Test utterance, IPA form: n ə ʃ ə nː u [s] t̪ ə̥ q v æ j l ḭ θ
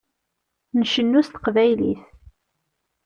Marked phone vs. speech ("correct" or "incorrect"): correct